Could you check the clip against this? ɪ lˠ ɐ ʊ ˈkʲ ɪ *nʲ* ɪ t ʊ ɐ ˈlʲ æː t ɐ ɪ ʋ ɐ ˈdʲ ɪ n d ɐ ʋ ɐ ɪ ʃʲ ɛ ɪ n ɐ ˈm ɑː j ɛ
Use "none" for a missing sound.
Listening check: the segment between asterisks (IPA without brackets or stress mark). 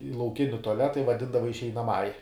nʲ